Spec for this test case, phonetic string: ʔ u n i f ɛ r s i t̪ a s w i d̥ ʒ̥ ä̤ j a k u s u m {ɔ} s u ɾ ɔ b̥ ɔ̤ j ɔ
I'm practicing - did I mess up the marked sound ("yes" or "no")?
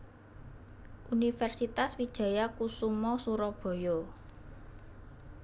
no